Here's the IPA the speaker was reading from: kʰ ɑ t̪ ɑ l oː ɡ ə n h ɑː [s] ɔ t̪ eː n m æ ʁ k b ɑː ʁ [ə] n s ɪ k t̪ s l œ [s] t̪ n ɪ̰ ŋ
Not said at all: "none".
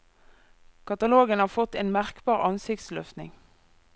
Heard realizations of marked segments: f, ɑ, f

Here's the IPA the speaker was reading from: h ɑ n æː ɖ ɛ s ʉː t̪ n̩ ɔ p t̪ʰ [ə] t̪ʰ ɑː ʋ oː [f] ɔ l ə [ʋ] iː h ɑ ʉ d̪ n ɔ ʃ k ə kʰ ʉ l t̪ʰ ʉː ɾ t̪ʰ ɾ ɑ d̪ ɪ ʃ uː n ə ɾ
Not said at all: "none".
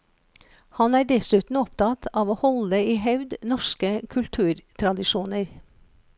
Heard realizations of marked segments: ɑ, h, none

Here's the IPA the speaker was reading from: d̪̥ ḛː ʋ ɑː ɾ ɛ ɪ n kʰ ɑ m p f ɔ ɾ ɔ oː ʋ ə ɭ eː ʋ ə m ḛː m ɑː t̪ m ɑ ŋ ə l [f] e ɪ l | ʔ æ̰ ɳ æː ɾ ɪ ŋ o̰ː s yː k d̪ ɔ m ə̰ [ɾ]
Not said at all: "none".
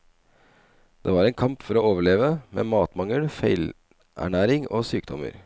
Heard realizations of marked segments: f, ɾ

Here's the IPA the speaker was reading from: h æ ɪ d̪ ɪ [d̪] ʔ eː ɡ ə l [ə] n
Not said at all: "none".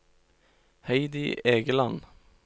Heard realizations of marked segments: none, ɑ

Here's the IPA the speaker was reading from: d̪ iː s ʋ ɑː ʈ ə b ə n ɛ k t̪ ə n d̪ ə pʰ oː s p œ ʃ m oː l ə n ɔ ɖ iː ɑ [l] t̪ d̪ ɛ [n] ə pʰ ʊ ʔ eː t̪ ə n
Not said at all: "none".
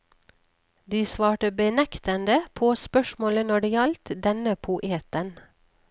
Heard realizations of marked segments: l, n

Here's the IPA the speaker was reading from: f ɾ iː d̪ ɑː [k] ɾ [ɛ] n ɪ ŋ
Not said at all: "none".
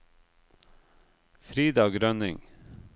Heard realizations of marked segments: ɡ, œ

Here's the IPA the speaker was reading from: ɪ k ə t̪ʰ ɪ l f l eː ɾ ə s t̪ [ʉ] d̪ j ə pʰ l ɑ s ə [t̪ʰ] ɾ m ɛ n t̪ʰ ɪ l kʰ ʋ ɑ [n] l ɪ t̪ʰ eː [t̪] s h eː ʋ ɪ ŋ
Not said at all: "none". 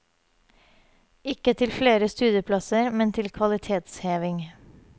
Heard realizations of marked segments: ʉː, none, none, t̪

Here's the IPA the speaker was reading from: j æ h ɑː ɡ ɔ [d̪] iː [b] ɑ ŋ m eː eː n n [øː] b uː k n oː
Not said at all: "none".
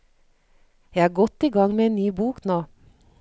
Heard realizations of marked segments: t̪, ɡ, yː

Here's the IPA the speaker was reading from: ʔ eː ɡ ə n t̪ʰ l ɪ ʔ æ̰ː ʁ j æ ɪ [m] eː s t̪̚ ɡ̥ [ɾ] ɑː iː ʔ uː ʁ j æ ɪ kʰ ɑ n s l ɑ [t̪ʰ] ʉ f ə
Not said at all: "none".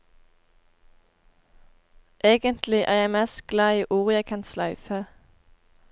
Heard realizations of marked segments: m, l, none

